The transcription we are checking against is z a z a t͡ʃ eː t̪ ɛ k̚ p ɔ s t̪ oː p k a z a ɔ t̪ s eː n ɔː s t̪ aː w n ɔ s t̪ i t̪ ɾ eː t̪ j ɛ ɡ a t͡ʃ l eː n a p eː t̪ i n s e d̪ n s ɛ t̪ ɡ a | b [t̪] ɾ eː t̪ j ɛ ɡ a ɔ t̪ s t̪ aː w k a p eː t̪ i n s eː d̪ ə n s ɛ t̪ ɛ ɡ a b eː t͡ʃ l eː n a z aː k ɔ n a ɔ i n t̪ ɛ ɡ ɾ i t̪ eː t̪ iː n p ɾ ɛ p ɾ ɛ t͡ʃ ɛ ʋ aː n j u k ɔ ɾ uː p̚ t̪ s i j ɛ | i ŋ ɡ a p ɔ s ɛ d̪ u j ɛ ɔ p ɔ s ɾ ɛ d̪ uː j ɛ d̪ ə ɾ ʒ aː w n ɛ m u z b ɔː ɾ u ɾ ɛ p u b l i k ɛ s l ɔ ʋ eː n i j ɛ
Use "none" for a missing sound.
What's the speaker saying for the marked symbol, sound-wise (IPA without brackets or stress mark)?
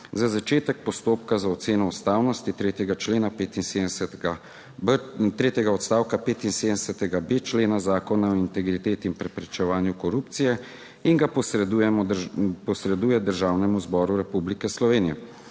t̪